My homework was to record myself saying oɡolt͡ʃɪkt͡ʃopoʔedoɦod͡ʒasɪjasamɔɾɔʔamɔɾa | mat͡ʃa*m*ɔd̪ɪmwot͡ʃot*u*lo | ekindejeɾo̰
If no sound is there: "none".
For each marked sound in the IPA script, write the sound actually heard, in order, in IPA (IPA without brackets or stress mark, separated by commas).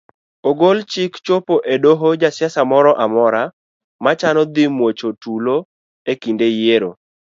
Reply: n, u